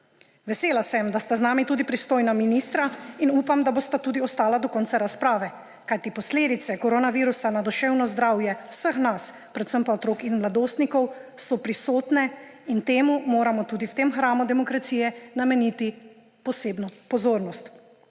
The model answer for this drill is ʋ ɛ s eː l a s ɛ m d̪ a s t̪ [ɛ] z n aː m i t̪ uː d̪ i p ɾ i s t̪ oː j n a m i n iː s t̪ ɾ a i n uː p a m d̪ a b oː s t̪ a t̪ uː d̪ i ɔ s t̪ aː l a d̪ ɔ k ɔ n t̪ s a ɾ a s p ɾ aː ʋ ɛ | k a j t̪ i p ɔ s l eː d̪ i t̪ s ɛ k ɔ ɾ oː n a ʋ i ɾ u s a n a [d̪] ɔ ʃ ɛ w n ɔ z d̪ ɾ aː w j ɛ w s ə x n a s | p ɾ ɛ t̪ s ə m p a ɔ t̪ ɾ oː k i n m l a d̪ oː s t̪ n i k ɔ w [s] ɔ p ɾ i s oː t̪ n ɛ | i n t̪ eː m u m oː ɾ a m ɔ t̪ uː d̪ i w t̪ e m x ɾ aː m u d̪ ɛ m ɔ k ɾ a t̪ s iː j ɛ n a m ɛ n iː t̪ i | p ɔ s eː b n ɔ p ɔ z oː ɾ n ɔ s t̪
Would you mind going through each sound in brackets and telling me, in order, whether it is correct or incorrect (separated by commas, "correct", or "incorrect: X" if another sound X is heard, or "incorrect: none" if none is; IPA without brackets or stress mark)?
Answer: incorrect: a, correct, correct